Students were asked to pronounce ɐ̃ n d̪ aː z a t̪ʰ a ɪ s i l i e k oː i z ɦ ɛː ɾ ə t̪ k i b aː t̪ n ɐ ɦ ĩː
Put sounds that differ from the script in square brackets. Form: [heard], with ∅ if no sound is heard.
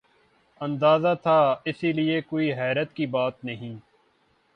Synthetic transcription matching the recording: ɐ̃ n d̪ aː z a t̪ʰ a ɪ s i l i e k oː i [∅] ɦ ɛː ɾ ə t̪ k i b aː t̪ n ɐ ɦ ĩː